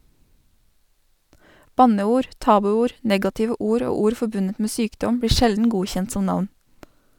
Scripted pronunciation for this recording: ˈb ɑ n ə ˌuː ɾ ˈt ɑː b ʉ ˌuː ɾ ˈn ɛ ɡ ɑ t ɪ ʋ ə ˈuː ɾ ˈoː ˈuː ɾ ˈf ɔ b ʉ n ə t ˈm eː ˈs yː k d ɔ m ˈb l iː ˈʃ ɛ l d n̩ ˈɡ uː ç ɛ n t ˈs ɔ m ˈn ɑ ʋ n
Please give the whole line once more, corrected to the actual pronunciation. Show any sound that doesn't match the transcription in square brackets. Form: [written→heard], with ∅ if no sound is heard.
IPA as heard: ˈb ɑ n ə ˌuː ɾ ˈt ɑː b ʉ ˌuː ɾ ˈn ɛ ɡ ɑ t ɪ ʋ ə ˈuː ɾ ˈoː ˈuː ɾ ˈf ɔ b ʉ n ə t ˈm eː ˈs yː k d ɔ m ˈb [l→ɽ] iː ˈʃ ɛ l d n̩ ˈɡ uː ç ɛ n t ˈs ɔ m ˈn ɑ ʋ n